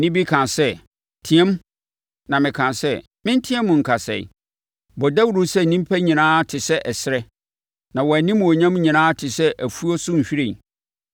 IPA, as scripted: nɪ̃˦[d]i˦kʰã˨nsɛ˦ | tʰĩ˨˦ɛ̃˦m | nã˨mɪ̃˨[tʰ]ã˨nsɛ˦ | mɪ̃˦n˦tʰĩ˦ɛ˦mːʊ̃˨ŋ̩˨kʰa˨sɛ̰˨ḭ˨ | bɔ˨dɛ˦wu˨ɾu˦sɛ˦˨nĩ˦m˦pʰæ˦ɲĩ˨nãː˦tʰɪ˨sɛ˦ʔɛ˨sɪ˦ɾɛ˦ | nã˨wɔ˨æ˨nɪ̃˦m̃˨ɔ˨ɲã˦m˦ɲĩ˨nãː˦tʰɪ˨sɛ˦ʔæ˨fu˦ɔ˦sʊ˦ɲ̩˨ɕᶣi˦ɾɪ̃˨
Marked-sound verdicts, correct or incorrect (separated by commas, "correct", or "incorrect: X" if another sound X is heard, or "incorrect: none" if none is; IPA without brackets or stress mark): incorrect: b, incorrect: kʰ